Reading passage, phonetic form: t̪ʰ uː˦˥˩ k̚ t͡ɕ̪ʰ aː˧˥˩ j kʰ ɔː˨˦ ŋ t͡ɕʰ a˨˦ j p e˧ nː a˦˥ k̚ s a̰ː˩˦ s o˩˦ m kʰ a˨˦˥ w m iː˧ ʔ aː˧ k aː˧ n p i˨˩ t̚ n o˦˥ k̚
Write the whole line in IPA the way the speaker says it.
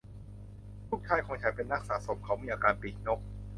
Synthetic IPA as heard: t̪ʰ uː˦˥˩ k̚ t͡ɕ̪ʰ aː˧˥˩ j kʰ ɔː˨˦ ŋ t͡ɕʰ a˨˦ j p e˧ nː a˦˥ k̚ s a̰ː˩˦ s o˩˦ m kʰ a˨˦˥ w m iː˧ ʔ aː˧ k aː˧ n p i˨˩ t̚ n o˦˥ k̚